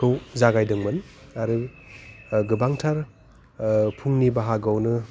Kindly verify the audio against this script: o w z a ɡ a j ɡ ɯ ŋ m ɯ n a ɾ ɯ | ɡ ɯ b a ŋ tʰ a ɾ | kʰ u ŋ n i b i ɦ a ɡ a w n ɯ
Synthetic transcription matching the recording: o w z a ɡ a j d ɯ ŋ m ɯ n a ɾ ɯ | ɡ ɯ b a ŋ tʰ a ɾ | pʰ u ŋ n i b a ɦ a ɡ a w n ɯ